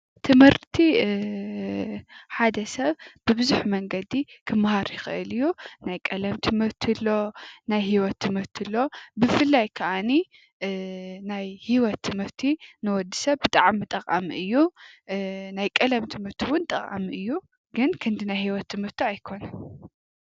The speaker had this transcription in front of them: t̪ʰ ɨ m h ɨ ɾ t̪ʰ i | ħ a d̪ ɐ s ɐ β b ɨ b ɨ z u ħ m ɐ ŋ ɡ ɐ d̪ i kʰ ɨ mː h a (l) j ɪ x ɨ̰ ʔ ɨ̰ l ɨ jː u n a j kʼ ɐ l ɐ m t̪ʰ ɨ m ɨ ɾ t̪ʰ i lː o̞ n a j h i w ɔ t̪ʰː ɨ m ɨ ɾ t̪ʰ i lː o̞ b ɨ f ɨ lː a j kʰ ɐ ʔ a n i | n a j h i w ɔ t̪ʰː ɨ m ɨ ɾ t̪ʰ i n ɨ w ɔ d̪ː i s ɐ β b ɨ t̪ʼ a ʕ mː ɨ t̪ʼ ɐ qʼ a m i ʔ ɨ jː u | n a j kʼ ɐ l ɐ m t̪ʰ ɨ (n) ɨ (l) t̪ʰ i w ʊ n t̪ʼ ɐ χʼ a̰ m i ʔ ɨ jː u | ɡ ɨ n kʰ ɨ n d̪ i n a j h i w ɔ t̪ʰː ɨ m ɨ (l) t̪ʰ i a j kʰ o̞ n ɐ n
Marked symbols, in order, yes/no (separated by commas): no, no, no, no